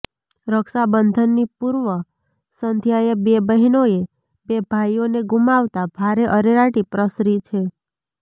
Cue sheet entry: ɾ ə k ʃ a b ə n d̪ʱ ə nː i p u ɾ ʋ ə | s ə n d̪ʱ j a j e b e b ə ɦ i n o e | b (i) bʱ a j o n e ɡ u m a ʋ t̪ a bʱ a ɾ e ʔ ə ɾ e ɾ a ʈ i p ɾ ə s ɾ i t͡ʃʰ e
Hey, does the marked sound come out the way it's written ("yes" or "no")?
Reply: no